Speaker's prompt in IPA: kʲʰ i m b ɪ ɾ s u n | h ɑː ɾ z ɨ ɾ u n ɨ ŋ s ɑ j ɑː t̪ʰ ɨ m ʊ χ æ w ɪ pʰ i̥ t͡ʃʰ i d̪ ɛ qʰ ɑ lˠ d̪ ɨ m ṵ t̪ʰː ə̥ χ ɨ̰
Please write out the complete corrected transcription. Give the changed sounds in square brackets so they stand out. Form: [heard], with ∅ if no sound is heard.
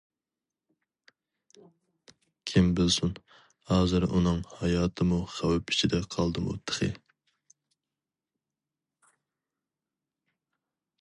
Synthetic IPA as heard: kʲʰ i m b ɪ [l] s u n | h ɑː [∅] z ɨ ɾ u n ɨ ŋ [h] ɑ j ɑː t̪ʰ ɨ m [u] χ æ w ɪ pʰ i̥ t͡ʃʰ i d̪ ɛ qʰ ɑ lˠ d̪ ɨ m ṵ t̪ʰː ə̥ χ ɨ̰